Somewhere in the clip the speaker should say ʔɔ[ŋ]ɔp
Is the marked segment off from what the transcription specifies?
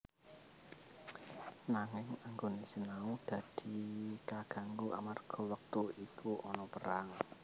yes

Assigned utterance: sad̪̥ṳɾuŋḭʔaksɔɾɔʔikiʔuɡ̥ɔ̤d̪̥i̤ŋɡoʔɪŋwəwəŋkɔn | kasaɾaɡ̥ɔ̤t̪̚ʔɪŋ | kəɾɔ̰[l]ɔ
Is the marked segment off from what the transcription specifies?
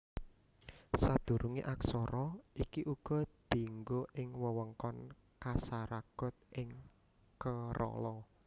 no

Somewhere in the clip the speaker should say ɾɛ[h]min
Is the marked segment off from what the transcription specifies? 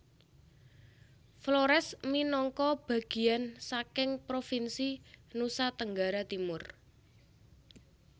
yes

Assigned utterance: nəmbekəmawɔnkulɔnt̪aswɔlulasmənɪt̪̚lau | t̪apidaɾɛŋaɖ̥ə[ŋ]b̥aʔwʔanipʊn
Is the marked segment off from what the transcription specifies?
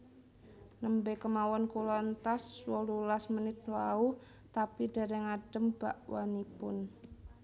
yes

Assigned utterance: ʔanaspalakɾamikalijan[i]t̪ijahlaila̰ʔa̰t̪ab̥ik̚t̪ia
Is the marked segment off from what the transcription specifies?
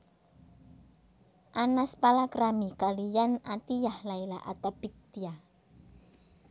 yes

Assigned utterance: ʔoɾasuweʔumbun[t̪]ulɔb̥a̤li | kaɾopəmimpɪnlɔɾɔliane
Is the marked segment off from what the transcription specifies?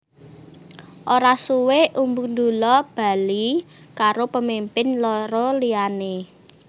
yes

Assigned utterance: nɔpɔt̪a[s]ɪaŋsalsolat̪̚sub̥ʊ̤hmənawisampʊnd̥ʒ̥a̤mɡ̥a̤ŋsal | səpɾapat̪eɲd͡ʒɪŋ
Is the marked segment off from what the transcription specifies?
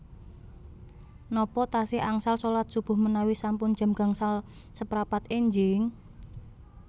no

